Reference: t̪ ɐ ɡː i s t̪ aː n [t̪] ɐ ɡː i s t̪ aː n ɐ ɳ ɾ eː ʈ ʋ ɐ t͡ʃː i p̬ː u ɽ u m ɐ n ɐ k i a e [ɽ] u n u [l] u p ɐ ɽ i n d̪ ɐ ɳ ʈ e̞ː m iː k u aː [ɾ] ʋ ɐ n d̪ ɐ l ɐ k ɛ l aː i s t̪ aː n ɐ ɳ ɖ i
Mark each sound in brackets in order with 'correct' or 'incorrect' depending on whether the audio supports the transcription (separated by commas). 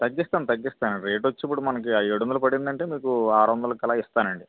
correct, correct, correct, correct